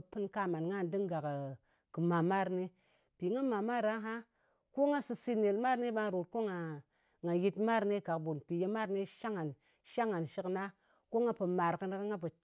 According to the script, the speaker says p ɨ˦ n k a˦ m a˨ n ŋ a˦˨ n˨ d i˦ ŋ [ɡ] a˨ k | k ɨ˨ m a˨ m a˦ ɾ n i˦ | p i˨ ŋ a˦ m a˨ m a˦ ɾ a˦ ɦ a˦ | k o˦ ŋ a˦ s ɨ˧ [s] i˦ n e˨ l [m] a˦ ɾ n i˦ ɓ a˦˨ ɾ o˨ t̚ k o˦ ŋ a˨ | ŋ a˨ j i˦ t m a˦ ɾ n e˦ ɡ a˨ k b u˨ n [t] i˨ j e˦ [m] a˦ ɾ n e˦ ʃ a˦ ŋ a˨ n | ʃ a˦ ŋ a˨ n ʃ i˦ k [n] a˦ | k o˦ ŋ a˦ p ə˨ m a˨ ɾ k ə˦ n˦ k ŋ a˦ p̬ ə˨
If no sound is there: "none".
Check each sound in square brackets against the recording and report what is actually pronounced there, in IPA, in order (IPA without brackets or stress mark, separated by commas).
ɡ, s, m, p, m, n